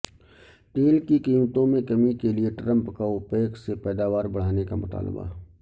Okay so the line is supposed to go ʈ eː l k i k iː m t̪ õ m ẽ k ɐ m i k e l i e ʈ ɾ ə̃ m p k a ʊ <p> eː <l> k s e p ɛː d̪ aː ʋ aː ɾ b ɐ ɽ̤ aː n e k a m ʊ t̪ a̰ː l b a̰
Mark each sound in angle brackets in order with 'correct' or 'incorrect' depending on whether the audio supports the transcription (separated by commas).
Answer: correct, incorrect